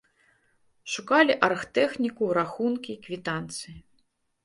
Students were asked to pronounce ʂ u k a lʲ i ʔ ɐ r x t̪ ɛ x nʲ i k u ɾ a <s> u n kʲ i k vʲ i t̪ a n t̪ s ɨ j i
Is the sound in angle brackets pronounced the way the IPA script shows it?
no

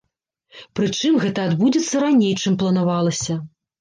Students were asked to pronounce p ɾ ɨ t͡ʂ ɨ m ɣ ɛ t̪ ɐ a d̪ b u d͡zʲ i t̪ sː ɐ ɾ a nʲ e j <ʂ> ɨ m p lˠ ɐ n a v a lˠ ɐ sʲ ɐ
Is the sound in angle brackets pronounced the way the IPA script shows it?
no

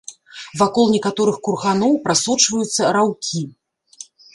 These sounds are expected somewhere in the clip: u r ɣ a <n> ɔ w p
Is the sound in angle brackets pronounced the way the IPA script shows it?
yes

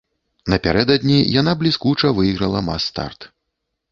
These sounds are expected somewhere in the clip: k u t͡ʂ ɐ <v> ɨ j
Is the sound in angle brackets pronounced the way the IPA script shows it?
yes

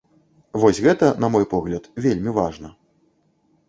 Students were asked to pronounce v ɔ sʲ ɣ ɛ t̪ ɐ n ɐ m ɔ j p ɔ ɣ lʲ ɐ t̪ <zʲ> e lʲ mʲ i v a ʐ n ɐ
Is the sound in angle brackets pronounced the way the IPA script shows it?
no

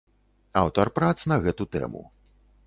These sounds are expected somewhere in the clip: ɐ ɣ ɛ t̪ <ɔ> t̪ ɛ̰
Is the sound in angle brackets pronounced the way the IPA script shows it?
no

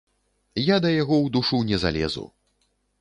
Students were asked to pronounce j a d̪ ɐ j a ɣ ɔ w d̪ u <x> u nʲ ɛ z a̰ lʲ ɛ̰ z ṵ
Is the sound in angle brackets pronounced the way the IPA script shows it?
no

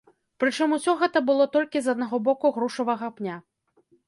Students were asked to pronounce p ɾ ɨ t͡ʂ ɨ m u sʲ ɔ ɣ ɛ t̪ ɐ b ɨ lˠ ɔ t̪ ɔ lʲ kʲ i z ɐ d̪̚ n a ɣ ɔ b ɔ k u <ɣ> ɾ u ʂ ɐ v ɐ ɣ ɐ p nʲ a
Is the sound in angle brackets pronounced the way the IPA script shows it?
yes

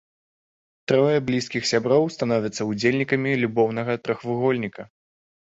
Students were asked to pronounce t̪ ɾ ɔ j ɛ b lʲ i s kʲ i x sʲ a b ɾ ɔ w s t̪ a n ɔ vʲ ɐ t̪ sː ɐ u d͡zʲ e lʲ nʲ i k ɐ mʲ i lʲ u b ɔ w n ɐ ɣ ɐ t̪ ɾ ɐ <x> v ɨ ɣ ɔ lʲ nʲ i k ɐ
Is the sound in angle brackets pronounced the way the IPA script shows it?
yes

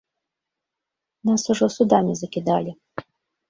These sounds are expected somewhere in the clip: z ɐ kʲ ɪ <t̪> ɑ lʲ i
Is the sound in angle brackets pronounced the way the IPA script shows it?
no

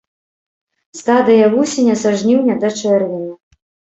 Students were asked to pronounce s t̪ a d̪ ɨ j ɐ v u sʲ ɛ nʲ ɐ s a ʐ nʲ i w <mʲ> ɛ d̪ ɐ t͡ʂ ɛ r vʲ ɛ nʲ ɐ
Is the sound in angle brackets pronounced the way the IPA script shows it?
no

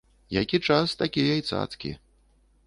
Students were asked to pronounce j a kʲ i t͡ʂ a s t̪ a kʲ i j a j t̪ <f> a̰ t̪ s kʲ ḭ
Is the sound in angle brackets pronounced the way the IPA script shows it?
no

